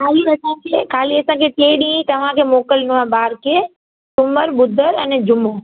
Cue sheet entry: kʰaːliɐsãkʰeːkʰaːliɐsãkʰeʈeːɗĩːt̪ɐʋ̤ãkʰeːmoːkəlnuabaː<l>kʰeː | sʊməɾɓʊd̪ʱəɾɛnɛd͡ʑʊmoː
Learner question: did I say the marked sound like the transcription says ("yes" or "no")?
no